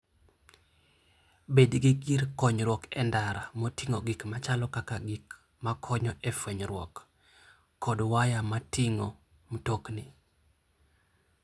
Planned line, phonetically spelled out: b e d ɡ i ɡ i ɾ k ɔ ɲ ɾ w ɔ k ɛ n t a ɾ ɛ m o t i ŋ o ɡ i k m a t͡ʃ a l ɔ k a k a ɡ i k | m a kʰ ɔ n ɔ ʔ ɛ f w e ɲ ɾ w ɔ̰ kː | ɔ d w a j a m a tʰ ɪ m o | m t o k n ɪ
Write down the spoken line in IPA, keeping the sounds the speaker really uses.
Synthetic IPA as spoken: b e d ɡ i ɡ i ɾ k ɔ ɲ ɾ w ɔ k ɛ n d a ɾ a m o t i ŋ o ɡ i k m a t͡ʃ a l ɔ k a k a ɡ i k | m a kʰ ɔ ɲ ɔ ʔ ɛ f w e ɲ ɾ w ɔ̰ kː | ɔ d w a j a m a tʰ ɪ ŋ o | m t o k n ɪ